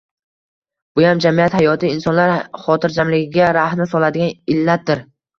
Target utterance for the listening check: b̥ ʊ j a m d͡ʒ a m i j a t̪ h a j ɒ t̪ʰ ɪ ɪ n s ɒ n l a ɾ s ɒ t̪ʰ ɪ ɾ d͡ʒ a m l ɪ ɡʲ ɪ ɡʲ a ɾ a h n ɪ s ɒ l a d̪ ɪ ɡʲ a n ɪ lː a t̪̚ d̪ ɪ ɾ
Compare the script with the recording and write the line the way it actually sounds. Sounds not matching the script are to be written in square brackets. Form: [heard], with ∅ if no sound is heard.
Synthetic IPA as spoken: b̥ ʊ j a m d͡ʒ a m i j a t̪ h a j ɒ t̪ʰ ɪ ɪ n s ɒ n l a ɾ [χ] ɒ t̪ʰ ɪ ɾ d͡ʒ a m l ɪ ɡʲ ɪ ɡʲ a ɾ a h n ɪ s ɒ l a d̪ ɪ ɡʲ a n ɪ lː a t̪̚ d̪ ɪ ɾ